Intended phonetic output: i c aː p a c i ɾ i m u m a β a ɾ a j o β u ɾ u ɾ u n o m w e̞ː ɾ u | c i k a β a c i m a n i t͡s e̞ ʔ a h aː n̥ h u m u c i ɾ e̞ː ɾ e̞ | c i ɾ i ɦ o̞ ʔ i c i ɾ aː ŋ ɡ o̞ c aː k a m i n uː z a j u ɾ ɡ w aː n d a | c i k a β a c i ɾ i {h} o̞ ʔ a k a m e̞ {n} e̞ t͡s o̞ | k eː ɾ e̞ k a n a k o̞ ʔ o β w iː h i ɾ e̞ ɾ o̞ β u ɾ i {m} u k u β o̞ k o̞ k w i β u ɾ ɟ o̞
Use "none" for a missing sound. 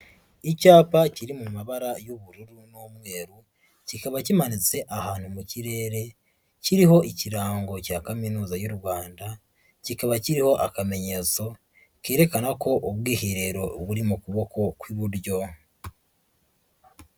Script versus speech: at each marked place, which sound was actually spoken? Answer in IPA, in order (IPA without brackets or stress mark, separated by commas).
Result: h, ɲ, m